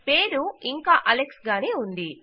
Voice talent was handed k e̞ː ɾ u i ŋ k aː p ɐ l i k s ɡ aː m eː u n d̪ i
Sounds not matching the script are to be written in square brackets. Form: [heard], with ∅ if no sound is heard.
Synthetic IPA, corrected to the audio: [p] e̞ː ɾ u i ŋ k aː [ʔ] ɐ l [e] k s ɡ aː [n] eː u n d̪ i

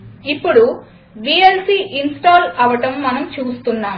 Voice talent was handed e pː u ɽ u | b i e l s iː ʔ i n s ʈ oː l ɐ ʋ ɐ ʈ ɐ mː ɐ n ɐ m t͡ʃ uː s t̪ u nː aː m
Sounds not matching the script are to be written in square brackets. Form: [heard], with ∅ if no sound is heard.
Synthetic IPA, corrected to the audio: [i] pː u ɽ u | b i e l s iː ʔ i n s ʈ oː l ɐ ʋ ɐ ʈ ɐ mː ɐ n ɐ m t͡ʃ uː s t̪ u nː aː m

